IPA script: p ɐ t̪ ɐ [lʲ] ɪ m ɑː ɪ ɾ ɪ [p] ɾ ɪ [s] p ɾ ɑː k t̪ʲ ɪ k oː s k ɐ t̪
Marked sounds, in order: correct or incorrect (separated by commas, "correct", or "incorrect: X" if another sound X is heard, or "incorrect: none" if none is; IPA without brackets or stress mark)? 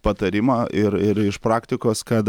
incorrect: ɾʲ, incorrect: none, incorrect: ʃ